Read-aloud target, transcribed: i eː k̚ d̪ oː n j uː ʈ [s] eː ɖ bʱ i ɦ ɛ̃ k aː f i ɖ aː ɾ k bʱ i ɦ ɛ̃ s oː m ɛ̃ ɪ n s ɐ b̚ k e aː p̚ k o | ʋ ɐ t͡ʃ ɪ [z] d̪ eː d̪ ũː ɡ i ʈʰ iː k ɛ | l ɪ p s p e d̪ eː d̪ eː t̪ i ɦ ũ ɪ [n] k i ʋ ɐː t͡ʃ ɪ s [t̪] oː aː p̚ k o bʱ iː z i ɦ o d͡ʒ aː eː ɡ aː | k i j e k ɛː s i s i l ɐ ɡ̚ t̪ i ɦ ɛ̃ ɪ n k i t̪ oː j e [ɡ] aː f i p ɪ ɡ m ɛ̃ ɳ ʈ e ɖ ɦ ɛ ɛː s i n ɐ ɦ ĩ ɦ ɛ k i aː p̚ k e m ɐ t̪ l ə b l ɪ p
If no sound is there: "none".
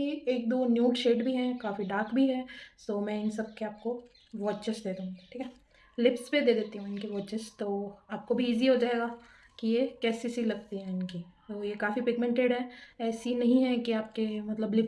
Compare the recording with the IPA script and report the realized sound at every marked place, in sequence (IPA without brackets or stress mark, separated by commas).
ʃ, s, n, t̪, k